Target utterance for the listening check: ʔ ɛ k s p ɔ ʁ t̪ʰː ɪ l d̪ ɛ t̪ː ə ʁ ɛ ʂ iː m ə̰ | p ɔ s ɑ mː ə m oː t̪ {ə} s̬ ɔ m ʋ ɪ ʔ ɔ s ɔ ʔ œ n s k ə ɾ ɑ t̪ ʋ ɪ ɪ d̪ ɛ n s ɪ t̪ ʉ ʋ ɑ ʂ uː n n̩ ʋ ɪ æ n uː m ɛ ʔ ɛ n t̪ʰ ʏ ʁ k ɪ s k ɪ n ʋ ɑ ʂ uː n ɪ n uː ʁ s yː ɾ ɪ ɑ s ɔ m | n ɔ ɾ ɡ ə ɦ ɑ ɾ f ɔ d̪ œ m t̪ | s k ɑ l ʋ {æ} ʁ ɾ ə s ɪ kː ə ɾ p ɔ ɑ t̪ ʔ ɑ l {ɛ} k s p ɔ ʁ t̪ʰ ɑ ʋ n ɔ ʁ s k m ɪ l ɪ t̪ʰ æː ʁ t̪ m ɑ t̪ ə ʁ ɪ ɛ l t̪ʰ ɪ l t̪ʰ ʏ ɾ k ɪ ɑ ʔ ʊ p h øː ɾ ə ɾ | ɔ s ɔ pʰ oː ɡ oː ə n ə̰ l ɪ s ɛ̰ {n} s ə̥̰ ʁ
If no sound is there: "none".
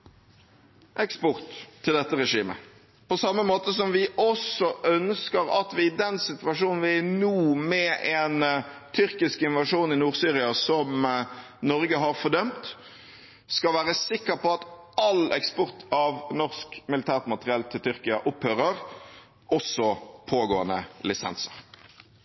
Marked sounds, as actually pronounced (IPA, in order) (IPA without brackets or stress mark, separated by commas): ə, æː, ɛ, n